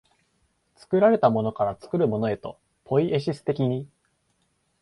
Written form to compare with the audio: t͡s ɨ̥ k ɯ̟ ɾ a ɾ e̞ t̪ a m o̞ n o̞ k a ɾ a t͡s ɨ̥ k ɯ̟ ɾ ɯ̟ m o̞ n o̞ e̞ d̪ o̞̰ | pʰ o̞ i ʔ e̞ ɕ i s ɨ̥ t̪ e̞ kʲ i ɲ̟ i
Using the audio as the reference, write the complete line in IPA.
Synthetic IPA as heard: t͡s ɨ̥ k ɯ̟ ɾ a ɾ e̞ t̪ a m o̞ n o̞ k a ɾ a t͡s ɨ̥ k ɯ̟ ɾ ɯ̟ m o̞ n o̞ e̞ t̪ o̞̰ | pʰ o̞ i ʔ e̞ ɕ i s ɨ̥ t̪ e̞ kʲ i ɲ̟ i